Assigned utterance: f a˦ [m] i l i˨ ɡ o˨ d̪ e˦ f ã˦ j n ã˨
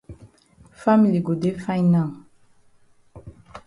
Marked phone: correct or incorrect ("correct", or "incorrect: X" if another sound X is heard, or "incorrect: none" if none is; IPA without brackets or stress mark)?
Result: correct